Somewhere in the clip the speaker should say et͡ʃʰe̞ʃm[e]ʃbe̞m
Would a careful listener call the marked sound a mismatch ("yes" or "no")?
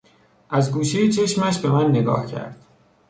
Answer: yes